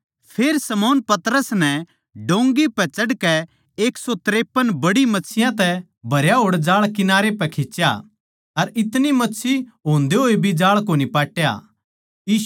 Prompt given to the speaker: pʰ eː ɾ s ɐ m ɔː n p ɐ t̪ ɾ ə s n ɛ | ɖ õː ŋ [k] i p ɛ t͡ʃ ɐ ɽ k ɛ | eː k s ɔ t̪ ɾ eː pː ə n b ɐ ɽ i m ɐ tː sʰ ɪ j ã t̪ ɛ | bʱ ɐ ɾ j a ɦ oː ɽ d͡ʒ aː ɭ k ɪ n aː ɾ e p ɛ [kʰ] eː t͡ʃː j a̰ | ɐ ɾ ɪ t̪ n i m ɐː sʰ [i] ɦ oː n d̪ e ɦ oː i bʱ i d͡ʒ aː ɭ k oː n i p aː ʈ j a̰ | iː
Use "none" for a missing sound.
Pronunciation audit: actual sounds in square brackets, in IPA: ɡ, kʰ, i

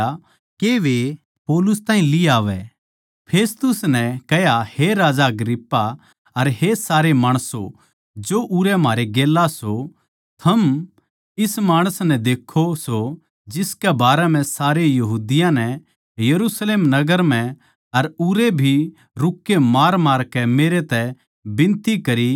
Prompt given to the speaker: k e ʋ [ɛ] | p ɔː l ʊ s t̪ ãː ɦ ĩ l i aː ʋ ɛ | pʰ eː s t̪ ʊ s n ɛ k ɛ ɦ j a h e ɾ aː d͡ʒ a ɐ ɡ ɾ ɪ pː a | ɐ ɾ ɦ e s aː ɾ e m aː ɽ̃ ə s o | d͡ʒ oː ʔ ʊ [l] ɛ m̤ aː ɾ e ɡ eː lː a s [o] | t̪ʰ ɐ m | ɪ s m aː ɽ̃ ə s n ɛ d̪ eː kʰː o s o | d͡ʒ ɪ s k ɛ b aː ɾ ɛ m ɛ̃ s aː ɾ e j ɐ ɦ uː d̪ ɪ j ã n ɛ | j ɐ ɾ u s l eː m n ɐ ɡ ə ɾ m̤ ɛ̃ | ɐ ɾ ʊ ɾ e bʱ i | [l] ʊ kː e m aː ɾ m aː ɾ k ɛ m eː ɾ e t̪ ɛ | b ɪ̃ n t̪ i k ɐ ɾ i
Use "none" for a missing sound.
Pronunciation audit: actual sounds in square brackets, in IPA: e, ɾ, o, ɾ

